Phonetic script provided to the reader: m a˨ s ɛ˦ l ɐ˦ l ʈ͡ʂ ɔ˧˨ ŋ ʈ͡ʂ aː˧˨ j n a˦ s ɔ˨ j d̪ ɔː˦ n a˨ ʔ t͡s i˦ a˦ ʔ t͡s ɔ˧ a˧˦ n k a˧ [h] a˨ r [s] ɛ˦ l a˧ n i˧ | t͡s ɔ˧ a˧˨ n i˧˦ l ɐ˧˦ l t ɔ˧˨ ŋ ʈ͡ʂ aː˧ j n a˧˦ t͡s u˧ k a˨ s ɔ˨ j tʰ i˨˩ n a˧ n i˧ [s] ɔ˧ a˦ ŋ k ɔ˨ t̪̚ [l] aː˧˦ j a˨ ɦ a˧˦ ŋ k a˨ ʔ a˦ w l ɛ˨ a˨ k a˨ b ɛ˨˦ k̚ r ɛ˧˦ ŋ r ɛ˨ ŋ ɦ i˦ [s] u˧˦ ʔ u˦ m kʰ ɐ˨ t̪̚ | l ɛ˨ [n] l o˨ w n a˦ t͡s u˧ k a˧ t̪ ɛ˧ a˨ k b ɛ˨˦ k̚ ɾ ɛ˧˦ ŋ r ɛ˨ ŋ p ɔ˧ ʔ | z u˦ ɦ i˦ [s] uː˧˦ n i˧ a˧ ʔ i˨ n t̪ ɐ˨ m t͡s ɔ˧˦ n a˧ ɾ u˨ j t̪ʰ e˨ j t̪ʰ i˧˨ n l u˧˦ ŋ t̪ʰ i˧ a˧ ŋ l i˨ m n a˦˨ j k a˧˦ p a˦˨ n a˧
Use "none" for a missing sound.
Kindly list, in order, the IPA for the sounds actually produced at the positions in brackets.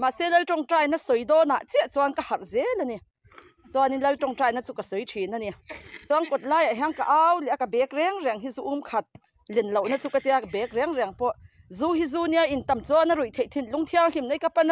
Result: h, z, t͡s, l, z, n, z

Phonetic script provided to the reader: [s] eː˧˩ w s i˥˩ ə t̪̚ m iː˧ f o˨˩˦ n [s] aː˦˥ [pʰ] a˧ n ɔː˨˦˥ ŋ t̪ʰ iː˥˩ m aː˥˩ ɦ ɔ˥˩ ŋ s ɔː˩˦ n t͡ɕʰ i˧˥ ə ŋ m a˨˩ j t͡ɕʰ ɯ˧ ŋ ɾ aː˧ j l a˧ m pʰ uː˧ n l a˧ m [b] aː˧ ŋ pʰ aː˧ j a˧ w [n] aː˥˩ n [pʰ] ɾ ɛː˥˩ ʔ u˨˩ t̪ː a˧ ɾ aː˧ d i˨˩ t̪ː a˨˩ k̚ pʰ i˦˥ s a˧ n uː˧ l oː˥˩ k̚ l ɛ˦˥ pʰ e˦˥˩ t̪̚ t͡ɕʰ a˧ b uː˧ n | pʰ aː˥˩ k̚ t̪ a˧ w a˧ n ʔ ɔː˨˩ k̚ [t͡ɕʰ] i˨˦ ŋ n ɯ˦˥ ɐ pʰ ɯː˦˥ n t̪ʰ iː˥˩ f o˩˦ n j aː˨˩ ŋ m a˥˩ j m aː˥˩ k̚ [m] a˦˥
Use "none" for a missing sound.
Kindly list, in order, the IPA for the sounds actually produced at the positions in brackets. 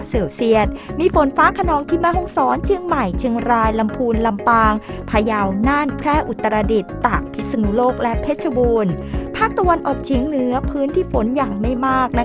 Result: s, f, kʰ, p, n, pʰ, t͡ɕʰ, n

